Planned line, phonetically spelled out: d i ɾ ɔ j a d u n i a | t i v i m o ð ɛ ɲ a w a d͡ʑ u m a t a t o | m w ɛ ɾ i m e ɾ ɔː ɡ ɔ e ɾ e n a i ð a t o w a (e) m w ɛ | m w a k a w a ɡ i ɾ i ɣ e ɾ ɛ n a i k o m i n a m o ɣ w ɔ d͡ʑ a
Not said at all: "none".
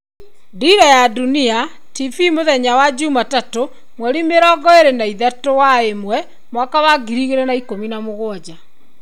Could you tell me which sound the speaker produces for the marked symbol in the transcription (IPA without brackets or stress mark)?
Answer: e